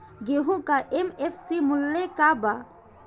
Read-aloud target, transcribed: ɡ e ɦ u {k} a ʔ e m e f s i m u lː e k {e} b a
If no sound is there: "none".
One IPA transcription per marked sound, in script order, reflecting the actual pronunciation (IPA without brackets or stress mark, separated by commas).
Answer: k, a